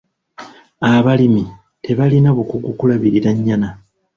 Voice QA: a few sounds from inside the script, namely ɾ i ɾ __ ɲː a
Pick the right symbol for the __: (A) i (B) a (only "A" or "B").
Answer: B